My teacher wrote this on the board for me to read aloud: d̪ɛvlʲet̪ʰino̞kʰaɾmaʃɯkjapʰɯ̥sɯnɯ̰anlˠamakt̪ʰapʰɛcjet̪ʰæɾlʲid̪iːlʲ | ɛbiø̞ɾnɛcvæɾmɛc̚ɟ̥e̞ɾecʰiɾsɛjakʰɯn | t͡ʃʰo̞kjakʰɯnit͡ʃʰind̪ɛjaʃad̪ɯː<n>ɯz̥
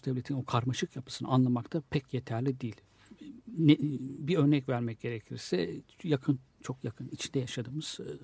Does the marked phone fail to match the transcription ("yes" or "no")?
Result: yes